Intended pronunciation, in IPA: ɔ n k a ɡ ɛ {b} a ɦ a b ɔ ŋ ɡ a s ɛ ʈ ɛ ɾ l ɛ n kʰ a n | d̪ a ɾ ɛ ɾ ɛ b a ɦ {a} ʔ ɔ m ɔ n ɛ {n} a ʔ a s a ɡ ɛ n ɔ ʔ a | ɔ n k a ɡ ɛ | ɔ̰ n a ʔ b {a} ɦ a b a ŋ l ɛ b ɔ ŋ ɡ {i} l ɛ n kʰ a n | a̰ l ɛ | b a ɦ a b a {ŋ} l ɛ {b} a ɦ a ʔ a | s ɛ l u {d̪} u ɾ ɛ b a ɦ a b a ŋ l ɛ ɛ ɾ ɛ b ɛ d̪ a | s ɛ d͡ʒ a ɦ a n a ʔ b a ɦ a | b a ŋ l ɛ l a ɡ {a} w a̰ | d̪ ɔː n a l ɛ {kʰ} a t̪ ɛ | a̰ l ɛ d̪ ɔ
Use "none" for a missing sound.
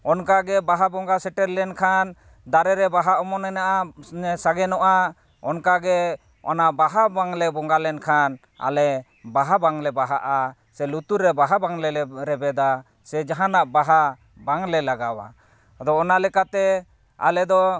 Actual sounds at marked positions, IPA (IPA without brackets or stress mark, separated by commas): b, a, n, a, a, ŋ, b, t̪, a, k